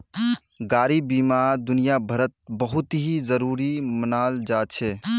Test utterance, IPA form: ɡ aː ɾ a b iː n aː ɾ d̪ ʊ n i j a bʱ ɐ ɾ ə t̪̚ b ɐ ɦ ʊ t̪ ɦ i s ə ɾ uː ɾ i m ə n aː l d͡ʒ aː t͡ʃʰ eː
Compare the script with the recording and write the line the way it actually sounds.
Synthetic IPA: ɡ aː ɾ i b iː m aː ɾ d̪ ʊ n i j a bʱ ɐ ɾ ə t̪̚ b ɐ ɦ ʊ t̪ ɦ i z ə ɾ uː ɾ i m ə n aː l d͡ʒ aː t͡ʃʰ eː